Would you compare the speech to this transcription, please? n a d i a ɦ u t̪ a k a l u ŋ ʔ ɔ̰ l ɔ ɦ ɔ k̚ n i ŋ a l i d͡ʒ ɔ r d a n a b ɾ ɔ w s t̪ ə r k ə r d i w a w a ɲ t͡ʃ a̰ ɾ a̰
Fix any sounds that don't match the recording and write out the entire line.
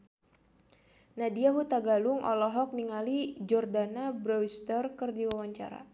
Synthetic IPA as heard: n a d i a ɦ u t̪ a ɡ a l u ŋ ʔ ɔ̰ l ɔ ɦ ɔ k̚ n i ŋ a l i d͡ʒ ɔ r d a n a b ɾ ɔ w s t̪ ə r k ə r d i w a w a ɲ t͡ʃ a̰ ɾ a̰